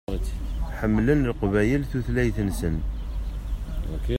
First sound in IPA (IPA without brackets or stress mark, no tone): ħ